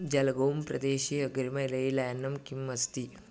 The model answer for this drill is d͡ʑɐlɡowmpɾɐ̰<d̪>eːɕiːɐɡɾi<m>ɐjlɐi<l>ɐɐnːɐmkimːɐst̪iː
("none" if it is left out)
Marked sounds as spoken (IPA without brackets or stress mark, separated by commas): d̪, m, l